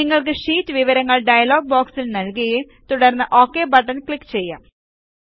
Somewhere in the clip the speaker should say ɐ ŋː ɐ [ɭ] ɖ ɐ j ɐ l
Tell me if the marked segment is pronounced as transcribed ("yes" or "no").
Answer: yes